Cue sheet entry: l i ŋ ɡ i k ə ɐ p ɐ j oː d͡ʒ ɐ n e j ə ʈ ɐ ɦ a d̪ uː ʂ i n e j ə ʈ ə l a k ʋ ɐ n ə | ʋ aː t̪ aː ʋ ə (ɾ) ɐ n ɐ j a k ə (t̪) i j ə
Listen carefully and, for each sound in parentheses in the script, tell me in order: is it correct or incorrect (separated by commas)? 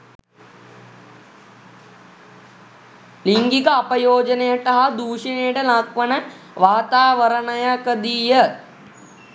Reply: correct, incorrect